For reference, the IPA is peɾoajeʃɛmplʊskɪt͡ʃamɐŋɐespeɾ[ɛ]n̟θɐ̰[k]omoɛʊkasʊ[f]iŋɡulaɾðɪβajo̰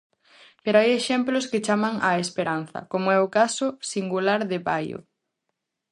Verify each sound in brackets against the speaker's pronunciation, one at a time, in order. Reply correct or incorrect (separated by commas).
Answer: incorrect, correct, incorrect